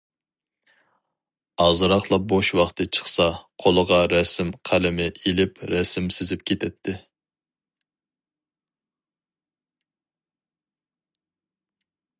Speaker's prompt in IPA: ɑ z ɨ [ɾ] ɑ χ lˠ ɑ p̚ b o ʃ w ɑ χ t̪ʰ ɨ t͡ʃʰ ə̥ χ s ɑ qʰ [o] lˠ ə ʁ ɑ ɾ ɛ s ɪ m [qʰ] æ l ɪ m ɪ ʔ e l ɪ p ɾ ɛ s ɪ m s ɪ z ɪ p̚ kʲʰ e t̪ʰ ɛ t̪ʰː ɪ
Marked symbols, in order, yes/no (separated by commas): yes, yes, yes